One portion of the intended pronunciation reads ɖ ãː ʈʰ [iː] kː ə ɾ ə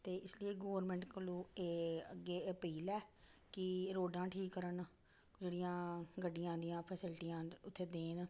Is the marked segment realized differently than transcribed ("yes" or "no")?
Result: no